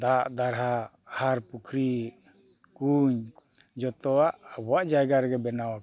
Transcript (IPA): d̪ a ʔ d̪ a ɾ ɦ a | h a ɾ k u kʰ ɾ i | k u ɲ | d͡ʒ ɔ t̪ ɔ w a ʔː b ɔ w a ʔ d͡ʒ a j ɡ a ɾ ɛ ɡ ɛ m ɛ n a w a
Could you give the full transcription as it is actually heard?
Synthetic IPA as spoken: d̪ a ʔ d̪ a ɾ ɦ a | h a ɾ p u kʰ ɾ i | k u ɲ | d͡ʒ ɔ t̪ ɔ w a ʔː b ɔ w a ʔ d͡ʒ a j ɡ a ɾ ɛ ɡ ɛ b ɛ n a w a